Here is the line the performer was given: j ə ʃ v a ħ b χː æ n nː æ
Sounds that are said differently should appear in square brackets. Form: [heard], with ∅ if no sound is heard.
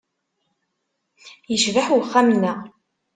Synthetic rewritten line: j ə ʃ v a ħ [w] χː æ [m] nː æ